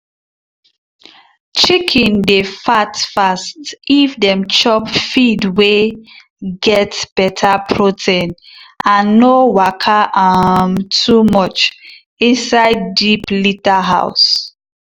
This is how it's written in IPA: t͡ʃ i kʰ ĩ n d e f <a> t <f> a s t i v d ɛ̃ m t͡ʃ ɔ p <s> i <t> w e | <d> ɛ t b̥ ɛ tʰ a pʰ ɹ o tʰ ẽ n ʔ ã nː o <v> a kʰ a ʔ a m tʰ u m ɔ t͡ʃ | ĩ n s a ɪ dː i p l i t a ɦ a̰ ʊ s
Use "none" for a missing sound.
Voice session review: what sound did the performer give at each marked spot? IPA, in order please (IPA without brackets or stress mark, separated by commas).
a, f, f, d, ɡ, w